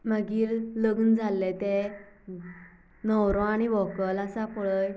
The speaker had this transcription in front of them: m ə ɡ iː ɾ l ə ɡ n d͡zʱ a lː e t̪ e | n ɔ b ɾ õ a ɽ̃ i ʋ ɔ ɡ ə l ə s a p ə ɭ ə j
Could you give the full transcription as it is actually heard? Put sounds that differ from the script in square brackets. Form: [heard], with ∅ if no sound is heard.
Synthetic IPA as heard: m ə ɡ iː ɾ l ə ɡ n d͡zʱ a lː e t̪ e | n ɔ [w] ɾ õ a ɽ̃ i ʋ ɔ [k] ə l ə s a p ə ɭ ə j